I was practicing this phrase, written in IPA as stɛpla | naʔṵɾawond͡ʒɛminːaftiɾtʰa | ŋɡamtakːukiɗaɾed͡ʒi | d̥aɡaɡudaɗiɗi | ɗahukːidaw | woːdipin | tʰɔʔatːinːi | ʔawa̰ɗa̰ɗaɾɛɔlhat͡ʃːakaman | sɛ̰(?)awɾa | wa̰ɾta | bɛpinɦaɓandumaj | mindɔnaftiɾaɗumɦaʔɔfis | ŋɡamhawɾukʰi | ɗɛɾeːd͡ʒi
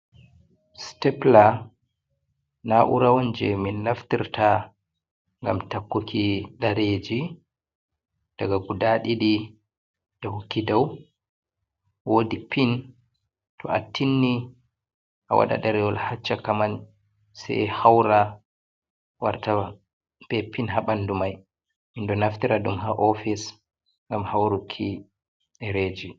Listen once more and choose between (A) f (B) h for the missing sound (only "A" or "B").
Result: B